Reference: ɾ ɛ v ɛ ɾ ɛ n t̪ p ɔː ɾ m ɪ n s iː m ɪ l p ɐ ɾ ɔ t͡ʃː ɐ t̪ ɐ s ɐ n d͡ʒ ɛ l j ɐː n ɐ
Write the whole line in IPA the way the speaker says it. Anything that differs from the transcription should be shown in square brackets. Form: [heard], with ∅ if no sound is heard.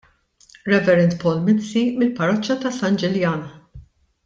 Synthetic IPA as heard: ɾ ɛ v ɛ ɾ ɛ n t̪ p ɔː [l] m ɪ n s [i] m ɪ l p ɐ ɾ ɔ t͡ʃː ɐ t̪ ɐ s ɐ n d͡ʒ ɛ l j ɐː n ɐ

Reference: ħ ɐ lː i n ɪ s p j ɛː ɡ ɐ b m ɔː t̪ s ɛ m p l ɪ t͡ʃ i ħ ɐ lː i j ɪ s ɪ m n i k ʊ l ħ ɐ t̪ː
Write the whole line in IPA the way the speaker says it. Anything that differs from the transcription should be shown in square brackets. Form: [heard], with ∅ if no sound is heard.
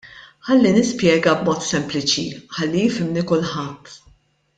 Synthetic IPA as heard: ħ ɐ lː i n ɪ s p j ɛː ɡ ɐ b m ɔː t̪ s ɛ m p l ɪ t͡ʃ i ħ ɐ lː i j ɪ [f] ɪ m n i k ʊ l ħ ɐ t̪ː

